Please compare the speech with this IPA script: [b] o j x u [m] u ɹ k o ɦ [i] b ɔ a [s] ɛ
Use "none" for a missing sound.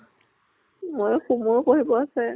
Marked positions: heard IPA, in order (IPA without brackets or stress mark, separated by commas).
m, m, i, s